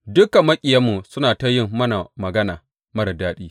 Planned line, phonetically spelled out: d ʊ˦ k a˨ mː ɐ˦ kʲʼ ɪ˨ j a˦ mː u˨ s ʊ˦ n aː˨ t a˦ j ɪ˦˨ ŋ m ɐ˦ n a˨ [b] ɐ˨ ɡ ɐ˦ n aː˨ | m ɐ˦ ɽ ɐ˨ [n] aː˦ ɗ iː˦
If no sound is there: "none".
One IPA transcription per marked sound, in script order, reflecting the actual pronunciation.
m, d

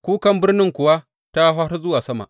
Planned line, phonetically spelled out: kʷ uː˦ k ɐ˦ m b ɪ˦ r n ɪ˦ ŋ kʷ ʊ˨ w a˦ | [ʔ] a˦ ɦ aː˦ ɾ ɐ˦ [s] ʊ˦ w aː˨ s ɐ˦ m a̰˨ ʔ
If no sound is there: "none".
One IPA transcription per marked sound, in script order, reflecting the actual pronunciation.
t, z

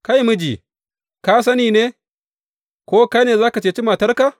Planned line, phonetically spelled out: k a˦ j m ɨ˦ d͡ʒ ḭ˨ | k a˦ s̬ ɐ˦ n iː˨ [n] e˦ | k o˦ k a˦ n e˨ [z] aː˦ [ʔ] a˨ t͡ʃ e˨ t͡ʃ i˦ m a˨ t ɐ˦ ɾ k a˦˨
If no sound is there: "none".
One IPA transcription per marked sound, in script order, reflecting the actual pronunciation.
n, z, k

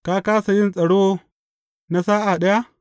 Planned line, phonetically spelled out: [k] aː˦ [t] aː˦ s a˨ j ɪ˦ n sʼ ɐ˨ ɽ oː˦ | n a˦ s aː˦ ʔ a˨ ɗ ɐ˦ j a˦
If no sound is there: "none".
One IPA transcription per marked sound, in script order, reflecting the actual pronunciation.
k, k

